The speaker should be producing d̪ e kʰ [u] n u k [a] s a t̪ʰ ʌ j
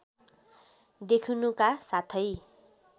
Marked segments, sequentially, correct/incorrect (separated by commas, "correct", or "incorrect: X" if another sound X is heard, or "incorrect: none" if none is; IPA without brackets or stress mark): correct, correct